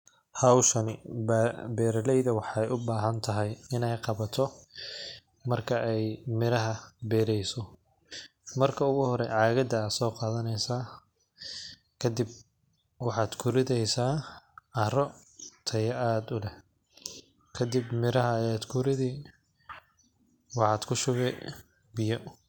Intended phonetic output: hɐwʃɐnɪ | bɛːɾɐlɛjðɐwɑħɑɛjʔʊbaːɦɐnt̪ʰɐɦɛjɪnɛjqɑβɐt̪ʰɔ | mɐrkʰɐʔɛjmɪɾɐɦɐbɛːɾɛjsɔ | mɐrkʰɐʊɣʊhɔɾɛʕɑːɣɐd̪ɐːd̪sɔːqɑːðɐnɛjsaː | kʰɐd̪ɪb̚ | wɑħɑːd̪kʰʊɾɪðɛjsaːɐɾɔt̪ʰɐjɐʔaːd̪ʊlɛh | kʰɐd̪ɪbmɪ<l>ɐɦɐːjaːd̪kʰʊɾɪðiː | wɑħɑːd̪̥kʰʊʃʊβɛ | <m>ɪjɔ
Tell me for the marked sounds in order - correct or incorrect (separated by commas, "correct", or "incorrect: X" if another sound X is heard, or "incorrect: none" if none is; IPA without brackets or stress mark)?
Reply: incorrect: ɾ, incorrect: b